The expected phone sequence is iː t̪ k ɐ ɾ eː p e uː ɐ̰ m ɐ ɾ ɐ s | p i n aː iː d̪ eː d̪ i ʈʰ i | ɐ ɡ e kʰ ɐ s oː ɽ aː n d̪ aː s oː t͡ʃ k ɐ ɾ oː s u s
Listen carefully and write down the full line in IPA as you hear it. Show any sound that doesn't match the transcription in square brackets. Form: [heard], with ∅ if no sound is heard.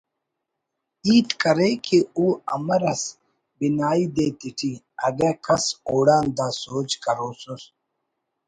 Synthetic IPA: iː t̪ k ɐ ɾ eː [k] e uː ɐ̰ m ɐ ɾ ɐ s | [b] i n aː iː d̪ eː [t̪] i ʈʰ i | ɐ ɡ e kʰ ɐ s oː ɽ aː n d̪ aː s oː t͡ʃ k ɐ ɾ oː s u s